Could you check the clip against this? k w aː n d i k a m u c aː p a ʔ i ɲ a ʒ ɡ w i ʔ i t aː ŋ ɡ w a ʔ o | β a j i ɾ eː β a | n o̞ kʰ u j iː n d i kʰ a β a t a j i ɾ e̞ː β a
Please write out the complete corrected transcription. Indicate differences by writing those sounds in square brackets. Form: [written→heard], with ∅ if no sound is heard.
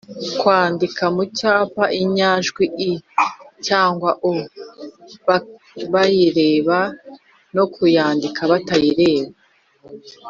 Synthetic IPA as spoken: k w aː n d i k a m u c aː p a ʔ i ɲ a ʒ ɡ w i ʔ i [t→c] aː ŋ ɡ w a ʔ o | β a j i ɾ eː β a | n o̞ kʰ u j [iː→aː] n d i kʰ a β a t a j i ɾ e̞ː β a